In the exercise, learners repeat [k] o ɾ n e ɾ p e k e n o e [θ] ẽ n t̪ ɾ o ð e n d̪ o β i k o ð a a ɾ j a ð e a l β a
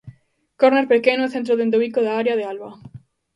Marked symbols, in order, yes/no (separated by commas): yes, yes